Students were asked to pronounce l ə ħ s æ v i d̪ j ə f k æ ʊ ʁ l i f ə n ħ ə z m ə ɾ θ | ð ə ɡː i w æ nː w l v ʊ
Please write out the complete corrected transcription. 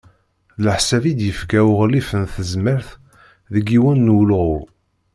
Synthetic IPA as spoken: l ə ħ s æ v i d̪ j ə f k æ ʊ ʁ l i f ə n θ ə z m ə ɾ θ | ð ə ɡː i w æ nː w l ʁ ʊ